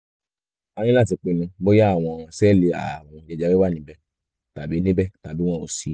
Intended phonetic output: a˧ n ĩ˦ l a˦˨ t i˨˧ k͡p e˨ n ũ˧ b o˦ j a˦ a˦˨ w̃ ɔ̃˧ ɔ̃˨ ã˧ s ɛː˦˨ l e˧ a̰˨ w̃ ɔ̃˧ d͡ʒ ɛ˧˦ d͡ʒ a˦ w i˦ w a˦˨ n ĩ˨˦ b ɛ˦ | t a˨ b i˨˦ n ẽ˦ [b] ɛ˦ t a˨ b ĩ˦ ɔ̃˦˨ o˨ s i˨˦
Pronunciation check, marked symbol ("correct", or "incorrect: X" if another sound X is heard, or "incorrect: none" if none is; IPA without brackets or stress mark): correct